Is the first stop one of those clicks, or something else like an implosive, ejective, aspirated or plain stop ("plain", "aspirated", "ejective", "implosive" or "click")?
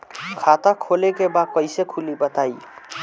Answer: aspirated